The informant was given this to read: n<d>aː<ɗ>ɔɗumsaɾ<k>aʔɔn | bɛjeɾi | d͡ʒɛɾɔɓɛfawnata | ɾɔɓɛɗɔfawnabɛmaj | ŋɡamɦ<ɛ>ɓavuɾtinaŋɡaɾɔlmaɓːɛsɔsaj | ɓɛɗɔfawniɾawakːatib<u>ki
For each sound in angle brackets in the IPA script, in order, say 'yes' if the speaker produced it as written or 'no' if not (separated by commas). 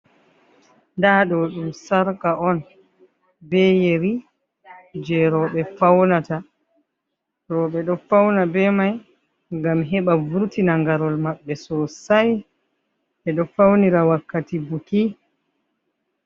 yes, yes, yes, yes, yes